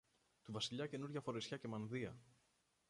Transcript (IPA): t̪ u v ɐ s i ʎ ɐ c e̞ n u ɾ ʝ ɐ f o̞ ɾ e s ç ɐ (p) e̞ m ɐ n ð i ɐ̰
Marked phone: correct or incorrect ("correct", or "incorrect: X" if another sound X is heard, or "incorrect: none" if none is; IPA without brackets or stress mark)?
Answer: incorrect: c